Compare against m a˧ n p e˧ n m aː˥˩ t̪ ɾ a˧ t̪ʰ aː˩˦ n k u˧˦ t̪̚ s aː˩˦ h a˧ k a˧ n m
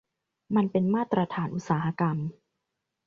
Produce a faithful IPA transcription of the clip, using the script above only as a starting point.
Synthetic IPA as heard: m a˧ n p e˧ n m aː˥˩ t̪ ɾ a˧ t̪ʰ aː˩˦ n ʔ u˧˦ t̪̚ s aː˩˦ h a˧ k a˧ m